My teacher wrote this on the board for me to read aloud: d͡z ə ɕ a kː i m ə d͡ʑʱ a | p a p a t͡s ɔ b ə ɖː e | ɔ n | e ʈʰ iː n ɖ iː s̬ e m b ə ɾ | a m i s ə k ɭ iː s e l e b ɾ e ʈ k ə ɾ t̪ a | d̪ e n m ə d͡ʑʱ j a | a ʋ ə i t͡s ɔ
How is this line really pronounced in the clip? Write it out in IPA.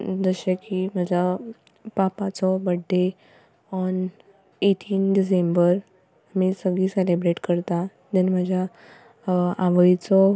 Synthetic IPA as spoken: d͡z ə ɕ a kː i m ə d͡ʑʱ a | p a p a t͡s ɔ b ə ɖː e | ɔ n | e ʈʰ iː n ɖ i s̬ e m b ə ɾ | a m i s ə ɡ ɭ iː s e l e b ɾ e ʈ k ə ɾ t̪ a | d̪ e n m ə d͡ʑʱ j a | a ʋ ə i t͡s ɔ